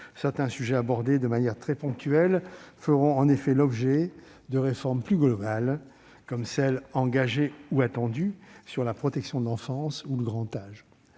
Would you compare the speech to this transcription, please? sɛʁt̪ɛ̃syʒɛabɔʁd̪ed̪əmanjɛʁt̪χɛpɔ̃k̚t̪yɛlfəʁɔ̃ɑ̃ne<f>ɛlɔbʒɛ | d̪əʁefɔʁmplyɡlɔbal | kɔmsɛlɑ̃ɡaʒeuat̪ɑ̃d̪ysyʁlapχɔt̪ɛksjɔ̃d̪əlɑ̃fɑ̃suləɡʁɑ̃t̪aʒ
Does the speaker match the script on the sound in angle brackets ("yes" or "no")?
yes